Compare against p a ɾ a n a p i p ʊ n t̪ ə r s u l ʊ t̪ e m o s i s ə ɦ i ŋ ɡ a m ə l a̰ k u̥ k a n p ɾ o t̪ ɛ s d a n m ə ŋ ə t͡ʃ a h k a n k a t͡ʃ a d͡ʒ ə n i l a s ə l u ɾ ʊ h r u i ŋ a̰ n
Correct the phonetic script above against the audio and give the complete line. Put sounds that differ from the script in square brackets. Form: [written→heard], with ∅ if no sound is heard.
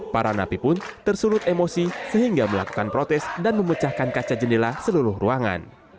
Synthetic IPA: p a ɾ a n a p i p ʊ n t̪ ə r s u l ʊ t̪ e m o s i s ə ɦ i ŋ ɡ a m ə l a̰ k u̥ k a n p ɾ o t̪ ɛ s d a n m ə [ŋ→m] ə t͡ʃ a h k a n k a t͡ʃ a d͡ʒ ə n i l a s ə l u ɾ ʊ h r u [i→a] ŋ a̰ n